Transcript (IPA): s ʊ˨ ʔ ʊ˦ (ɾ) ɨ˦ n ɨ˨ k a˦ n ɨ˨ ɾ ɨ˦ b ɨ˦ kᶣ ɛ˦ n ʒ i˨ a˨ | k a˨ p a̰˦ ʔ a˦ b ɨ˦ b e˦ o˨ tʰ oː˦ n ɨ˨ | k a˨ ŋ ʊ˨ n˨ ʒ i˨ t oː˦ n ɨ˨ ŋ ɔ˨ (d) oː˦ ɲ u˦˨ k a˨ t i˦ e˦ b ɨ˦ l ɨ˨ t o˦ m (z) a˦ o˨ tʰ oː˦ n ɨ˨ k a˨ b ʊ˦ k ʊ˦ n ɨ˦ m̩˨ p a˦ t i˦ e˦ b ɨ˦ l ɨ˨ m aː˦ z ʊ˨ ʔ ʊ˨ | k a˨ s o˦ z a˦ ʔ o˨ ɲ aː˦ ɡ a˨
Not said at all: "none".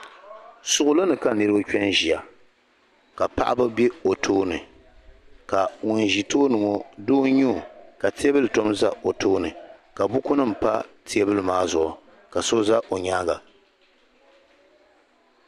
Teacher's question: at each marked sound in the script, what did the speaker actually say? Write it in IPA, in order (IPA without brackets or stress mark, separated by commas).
l, d, z